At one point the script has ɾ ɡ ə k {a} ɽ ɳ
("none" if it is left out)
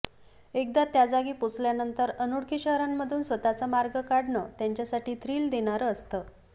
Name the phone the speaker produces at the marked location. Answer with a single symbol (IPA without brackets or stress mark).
a